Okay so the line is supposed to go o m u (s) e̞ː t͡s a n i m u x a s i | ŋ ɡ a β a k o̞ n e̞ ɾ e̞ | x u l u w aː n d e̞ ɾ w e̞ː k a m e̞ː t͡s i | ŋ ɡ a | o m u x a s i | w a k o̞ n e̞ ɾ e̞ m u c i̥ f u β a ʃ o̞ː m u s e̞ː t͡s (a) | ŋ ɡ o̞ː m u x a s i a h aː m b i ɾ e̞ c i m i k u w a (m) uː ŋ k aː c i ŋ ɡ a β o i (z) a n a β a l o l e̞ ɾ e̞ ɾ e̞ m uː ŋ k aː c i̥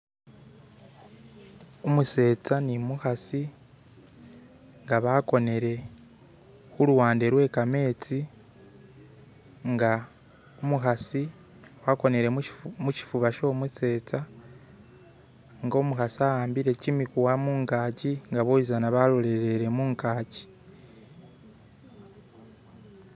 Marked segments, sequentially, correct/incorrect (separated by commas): correct, correct, correct, correct